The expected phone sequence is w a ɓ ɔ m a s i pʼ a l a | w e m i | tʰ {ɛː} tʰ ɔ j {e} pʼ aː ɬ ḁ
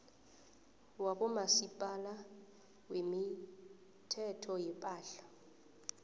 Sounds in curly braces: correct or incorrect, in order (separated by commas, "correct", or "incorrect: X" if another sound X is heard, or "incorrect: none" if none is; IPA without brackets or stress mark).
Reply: incorrect: ɛ, incorrect: ɛ